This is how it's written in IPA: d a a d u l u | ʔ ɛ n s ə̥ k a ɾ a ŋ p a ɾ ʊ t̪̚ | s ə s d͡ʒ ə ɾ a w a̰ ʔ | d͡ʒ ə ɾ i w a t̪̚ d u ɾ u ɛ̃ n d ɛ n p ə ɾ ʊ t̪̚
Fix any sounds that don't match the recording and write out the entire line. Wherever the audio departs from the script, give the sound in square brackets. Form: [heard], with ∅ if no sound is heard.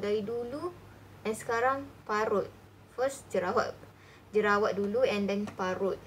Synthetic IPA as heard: d a [i] d u l u | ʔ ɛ n s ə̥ k a ɾ a ŋ p a ɾ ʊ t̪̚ | [f] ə s d͡ʒ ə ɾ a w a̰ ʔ | d͡ʒ ə ɾ [a] w a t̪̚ d u [l] u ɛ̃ n d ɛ n p [a] ɾ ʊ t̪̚